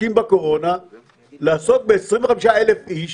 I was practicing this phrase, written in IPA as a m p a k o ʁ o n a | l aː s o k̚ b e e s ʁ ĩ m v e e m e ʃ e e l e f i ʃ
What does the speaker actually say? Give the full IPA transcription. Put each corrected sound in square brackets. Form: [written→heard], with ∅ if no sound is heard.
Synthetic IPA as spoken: [a→i] m [p→b] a k o ʁ o n a | l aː s o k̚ b e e s ʁ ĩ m v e [e→a] m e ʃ [e→a] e l e f i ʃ